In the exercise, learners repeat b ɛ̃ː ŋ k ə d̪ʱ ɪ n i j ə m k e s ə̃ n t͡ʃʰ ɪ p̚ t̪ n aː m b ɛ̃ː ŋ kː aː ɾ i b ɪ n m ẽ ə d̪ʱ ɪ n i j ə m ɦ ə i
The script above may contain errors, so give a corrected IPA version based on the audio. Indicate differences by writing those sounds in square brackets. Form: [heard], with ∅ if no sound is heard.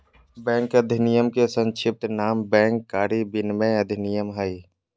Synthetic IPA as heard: b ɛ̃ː ŋ k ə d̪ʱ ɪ n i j ə m k e s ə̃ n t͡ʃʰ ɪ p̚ t̪ n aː m b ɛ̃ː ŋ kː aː ɾ i b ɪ n m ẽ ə d̪ʱ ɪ n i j ə m ɦ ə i